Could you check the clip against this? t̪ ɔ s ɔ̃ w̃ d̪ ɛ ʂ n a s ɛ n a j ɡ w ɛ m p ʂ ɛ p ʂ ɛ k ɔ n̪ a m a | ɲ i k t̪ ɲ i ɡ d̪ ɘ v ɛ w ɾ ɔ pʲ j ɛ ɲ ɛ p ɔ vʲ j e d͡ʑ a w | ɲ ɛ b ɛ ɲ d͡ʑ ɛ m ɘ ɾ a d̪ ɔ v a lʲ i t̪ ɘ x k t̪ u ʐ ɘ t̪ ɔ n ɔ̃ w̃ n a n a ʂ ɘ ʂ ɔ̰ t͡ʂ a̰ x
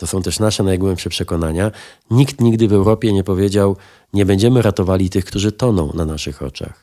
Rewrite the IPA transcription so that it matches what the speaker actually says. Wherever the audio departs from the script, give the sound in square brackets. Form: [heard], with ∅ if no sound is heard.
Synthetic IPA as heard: t̪ ɔ s ɔ̃ w̃ [t̪] ɛ ʂ n a [ʂ] ɛ n a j ɡ w ɛ m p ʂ ɛ p ʂ ɛ k ɔ n̪ a [ɲ] a | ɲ i k t̪ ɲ i ɡ d̪ ɘ v ɛ w ɾ ɔ pʲ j ɛ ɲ ɛ p ɔ vʲ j e d͡ʑ a w | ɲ ɛ b ɛ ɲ d͡ʑ ɛ m ɘ ɾ a [t̪] ɔ v a lʲ i t̪ ɘ x k t̪ u ʐ ɘ t̪ ɔ n ɔ̃ w̃ n a n a ʂ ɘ [x] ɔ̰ t͡ʂ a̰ x